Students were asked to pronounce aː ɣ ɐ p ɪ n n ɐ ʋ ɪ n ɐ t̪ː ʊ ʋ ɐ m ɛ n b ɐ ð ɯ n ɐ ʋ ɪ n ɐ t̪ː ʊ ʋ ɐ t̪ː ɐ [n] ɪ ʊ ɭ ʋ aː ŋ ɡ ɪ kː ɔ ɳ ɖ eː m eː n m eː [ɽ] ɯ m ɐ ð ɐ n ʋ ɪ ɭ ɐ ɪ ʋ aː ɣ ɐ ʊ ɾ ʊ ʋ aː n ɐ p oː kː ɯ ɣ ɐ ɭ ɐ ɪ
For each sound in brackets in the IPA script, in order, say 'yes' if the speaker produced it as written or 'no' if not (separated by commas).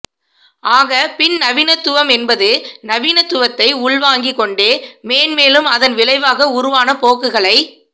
no, no